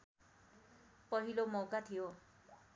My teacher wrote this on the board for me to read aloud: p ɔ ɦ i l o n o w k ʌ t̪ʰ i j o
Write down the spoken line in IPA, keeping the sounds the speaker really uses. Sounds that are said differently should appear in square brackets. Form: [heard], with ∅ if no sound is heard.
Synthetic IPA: p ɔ ɦ i l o [m] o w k [a] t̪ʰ i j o